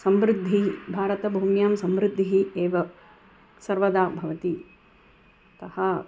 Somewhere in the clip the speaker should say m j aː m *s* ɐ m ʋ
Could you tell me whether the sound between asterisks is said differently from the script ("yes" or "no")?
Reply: no